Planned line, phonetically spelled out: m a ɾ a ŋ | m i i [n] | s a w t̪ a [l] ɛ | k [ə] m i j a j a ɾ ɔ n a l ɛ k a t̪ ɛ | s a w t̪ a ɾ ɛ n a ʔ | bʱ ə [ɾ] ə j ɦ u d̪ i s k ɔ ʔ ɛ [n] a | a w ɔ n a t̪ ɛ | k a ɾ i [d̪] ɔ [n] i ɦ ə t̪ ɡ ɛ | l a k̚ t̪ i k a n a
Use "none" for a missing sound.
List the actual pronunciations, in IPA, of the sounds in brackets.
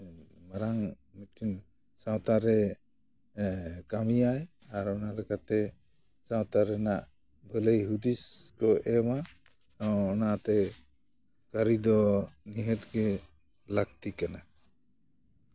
n, ɾ, a, l, m, d̪, n

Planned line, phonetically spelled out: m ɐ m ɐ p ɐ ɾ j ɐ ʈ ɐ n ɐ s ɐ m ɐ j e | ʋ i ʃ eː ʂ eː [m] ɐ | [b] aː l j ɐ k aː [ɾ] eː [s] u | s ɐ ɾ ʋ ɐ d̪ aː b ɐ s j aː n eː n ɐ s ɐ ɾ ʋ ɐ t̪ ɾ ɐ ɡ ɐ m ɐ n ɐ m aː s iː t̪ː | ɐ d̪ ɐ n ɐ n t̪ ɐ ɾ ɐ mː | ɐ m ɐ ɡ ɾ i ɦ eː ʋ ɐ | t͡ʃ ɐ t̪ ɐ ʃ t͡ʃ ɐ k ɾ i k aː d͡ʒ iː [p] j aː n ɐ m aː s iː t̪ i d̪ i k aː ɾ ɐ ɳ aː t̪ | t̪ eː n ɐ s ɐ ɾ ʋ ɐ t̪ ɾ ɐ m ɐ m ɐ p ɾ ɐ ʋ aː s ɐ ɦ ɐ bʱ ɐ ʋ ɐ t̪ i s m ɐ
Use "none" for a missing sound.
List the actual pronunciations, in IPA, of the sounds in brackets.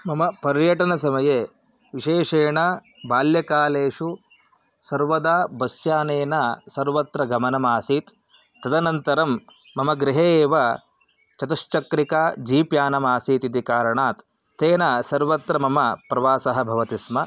ɳ, b, l, ʂ, p

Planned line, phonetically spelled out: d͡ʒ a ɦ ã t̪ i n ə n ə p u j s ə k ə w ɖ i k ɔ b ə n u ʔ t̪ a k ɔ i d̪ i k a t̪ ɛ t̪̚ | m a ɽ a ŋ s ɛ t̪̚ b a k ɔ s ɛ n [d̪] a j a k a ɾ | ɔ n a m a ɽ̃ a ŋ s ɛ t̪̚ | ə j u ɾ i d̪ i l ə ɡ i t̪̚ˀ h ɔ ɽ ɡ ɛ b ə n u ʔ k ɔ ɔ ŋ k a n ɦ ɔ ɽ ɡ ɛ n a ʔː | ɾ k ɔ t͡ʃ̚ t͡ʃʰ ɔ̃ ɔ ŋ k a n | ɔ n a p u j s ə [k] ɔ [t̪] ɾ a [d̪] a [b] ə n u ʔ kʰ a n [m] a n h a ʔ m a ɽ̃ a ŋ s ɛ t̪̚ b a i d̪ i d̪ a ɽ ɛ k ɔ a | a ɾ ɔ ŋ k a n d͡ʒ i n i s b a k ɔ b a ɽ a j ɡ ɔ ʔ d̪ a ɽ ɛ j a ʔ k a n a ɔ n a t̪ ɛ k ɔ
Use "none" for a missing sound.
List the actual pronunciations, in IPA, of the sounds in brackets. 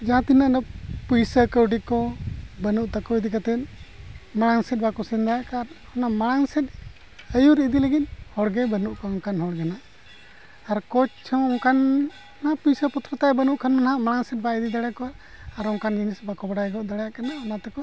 d̪, p, t̪, t̪, b, m

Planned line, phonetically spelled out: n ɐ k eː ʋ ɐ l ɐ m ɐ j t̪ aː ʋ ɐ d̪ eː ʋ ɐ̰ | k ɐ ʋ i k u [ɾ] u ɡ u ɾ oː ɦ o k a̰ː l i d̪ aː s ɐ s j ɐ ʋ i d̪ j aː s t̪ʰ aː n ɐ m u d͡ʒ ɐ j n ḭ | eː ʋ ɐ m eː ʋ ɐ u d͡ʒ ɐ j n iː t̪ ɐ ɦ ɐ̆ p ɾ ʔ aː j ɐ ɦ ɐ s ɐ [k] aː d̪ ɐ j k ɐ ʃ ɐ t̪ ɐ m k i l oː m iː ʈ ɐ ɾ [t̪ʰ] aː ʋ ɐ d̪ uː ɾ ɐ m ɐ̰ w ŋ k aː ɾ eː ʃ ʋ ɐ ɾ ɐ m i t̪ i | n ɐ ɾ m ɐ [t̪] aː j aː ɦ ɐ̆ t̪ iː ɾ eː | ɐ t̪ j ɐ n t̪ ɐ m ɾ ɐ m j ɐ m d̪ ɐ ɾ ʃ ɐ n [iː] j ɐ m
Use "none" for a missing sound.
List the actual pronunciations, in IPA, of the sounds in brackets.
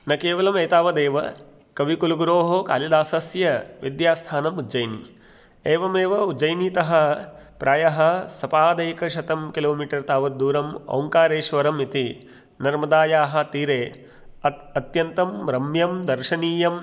l, p, t̪, d̪, iː

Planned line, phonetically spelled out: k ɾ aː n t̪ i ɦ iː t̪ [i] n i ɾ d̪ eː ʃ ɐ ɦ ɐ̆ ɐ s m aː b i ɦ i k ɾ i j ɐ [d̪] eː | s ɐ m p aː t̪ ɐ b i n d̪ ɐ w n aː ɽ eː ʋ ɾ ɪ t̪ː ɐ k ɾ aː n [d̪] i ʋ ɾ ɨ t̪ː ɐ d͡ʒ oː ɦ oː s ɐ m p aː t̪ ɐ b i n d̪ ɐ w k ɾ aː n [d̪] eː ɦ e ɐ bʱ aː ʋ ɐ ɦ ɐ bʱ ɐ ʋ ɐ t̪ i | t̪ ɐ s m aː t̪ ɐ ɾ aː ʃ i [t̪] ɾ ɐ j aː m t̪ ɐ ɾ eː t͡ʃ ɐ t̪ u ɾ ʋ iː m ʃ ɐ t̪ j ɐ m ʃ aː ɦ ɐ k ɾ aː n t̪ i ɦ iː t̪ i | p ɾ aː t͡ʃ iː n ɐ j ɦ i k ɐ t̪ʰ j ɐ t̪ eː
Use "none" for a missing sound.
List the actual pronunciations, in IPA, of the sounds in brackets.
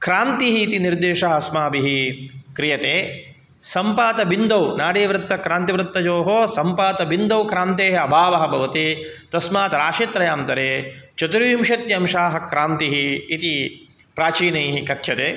i, t̪, t̪, t̪, t̪

